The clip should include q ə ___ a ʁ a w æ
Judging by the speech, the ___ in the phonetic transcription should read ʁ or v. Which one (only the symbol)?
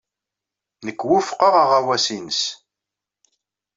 ʁ